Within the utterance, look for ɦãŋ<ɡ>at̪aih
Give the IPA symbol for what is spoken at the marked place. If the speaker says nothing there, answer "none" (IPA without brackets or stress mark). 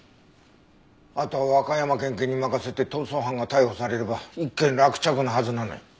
ɡ